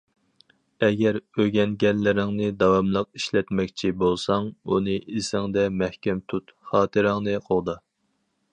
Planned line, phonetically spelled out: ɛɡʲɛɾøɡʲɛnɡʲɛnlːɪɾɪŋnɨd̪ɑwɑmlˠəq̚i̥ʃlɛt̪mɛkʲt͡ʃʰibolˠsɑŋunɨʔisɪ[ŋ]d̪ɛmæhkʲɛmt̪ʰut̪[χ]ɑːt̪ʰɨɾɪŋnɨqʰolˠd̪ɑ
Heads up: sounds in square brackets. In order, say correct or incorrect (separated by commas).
correct, correct